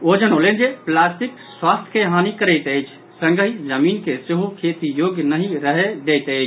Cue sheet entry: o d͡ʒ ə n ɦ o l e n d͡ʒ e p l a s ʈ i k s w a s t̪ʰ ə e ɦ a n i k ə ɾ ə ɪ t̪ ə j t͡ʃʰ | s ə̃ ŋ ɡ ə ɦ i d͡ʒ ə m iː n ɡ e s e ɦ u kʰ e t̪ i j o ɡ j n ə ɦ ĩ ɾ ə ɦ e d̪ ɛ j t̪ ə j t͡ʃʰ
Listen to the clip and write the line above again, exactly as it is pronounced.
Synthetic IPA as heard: o d͡ʒ ə n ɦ o l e n d͡ʒ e p l a s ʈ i k s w a s t̪ʰ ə e ɦ a n i k ə ɾ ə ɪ t̪ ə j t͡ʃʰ | s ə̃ ŋ ɡ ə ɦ i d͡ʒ ə m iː n k e s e ɦ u kʰ e t̪ i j o ɡ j n ə ɦ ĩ ɾ ə ɦ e d̪ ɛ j t̪ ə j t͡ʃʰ